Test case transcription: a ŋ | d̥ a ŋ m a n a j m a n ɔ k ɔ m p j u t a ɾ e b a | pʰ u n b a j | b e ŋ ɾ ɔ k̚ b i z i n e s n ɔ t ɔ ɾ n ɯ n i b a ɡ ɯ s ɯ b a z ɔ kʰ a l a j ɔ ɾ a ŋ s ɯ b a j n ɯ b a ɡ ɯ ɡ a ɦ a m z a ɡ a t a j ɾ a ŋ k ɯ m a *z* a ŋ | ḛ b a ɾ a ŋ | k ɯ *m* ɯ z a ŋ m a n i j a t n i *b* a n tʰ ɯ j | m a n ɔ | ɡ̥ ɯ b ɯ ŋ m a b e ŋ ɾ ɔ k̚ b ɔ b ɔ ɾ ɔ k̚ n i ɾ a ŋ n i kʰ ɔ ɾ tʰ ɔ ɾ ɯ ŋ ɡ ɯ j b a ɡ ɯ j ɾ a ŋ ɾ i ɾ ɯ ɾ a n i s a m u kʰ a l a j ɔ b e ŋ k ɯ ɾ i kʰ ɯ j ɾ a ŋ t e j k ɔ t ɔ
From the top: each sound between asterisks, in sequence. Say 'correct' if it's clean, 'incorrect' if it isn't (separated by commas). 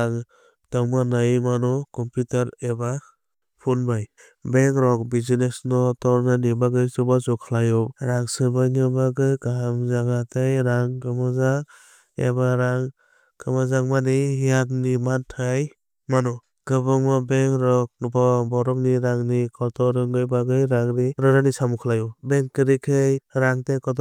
correct, correct, incorrect